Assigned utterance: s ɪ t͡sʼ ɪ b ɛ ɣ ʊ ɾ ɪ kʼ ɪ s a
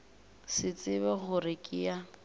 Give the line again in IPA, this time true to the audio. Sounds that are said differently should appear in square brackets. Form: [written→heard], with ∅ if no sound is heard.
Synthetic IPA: s ɪ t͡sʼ ɪ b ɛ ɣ ʊ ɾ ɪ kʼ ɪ [s→∅] a